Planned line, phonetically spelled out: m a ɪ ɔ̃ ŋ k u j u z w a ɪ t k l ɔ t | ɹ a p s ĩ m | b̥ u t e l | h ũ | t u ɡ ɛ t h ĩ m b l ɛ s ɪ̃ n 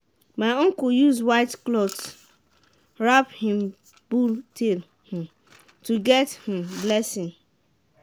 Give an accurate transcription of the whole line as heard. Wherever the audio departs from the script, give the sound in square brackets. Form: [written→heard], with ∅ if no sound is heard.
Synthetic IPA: m a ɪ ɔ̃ ŋ k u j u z w a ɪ t k l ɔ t | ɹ a p [s→h] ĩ m | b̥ u t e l | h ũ | t u ɡ ɛ t h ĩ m b l ɛ s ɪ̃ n